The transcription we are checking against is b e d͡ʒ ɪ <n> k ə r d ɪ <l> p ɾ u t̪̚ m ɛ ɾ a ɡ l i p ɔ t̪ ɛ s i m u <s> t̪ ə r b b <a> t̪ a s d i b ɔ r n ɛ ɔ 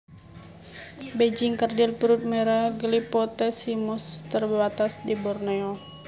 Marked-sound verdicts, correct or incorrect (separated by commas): incorrect, correct, correct, correct